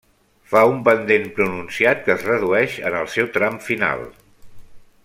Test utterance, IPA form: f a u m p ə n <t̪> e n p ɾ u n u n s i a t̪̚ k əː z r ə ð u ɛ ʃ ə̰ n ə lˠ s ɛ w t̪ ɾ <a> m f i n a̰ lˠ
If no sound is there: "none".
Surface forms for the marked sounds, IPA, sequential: d̪, a

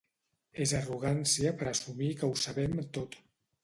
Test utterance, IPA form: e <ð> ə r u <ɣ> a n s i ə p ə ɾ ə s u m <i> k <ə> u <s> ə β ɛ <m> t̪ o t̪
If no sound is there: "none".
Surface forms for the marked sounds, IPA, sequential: z, ɣ, i, ə, s, m

